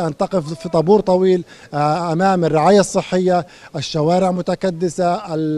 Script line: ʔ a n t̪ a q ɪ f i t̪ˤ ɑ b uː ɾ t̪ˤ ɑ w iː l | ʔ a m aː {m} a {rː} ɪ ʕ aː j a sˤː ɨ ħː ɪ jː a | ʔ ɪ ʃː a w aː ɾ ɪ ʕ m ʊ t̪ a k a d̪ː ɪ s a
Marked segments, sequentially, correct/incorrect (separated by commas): correct, correct